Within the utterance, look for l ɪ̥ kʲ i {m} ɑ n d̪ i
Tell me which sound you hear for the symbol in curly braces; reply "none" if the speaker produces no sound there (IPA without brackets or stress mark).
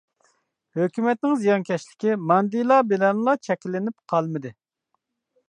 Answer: m